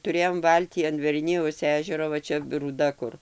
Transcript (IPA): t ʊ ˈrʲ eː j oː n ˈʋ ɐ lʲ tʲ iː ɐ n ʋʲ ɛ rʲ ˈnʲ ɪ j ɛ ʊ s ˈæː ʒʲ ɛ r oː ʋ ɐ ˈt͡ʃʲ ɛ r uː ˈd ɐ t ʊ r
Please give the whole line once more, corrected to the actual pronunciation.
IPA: t ʊ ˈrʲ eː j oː m ˈʋ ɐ lʲ tʲ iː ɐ n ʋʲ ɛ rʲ ˈnʲ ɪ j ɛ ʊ s ˈæː ʒʲ ɛ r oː ʋ ɐ ˈt͡ʃʲ ɛ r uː ˈd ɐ k ʊ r